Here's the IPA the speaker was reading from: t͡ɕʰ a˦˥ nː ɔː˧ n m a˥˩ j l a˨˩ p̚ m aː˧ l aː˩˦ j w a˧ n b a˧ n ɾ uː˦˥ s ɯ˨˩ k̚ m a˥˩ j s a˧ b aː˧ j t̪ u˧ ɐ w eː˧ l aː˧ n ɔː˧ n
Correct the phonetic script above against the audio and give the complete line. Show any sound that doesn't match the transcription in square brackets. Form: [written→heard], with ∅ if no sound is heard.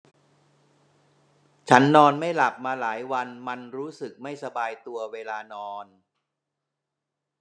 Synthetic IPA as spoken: t͡ɕʰ a˦˥ nː ɔː˧ n m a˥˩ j l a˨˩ p̚ m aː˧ l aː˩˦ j w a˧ n [b→m] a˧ n ɾ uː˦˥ s ɯ˨˩ k̚ m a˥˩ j s a˧ b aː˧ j t̪ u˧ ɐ w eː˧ l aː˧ n ɔː˧ n